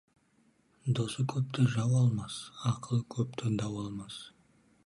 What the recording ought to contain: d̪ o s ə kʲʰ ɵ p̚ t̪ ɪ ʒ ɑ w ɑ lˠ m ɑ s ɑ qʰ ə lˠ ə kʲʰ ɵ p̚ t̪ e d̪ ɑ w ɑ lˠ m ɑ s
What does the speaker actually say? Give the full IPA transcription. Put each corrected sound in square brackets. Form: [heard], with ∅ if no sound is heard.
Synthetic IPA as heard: d̪ o s ə kʲʰ ɵ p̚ t̪ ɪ ʒ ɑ w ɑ lˠ m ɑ s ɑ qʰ ə lˠ ə kʲʰ ɵ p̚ t̪ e d̪ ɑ w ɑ lˠ m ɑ s

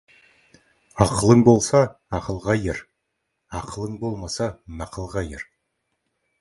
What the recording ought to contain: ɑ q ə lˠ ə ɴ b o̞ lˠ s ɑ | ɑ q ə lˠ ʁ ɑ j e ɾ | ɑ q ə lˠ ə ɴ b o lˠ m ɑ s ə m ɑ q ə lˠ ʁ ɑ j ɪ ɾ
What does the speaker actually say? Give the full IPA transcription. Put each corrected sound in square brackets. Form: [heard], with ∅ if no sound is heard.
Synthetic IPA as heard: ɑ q ə lˠ ə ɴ b o̞ lˠ s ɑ | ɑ q ə lˠ ʁ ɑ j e ɾ | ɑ q ə lˠ ə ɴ b o lˠ m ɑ s [ɑ] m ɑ q ə lˠ ʁ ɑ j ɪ ɾ

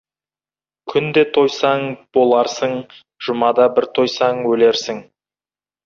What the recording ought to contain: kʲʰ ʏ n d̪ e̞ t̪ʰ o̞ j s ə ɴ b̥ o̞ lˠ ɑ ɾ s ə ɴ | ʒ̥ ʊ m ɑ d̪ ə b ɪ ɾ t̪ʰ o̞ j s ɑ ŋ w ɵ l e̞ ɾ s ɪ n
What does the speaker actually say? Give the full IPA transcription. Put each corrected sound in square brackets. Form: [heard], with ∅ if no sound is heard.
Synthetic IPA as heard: kʲʰ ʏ n d̪ e̞ t̪ʰ o̞ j s [ɑ] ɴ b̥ o̞ lˠ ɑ ɾ s ə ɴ | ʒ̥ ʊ m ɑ d̪ [ɑ] b ɪ ɾ t̪ʰ o̞ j s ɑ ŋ w ɵ l e̞ ɾ s ɪ [ŋ]

